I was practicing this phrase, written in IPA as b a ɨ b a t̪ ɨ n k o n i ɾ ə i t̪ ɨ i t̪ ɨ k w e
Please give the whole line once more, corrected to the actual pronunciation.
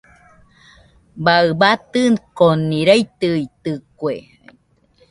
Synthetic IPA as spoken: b a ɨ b a t̪ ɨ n k o n i ɾ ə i t̪ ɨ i t̪ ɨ k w e